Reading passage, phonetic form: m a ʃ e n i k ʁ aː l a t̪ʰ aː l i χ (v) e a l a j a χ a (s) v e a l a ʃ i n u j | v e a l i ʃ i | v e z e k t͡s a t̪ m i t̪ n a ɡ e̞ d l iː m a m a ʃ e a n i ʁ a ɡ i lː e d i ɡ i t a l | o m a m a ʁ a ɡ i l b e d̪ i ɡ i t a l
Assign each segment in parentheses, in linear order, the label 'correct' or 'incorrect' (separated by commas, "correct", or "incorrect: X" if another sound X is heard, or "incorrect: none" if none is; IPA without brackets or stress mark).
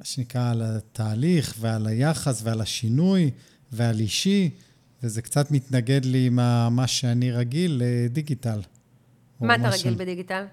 correct, correct